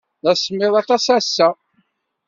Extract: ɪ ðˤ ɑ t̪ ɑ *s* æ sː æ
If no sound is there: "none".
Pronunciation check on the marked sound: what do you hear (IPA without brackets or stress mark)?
s